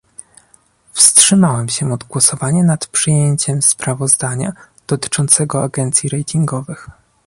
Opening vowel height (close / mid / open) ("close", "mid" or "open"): mid